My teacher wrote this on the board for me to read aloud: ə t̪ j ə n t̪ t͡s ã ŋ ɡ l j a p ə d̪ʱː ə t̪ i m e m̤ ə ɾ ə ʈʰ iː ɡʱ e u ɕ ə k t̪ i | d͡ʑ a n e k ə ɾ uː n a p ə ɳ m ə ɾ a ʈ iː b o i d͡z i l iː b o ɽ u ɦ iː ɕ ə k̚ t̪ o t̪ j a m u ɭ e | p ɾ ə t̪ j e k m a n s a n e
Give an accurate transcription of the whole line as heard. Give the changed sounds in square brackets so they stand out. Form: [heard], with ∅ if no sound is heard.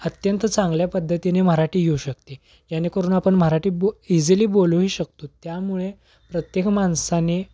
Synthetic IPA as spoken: ə t̪ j ə n t̪ t͡s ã ŋ ɡ l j a p ə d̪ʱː ə t̪ i [n] e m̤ ə ɾ [a] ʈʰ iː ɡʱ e u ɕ ə k t̪ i | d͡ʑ a n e k ə ɾ uː n a p ə ɳ m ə ɾ a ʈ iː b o i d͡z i l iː b o [l] u ɦ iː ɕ ə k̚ t̪ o t̪ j a m u ɭ e | p ɾ ə t̪ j e k m a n s a n e